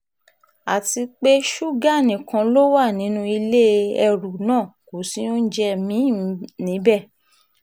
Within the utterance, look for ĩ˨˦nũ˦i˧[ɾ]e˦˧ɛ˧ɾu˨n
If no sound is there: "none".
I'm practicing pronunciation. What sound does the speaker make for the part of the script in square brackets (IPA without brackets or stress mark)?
l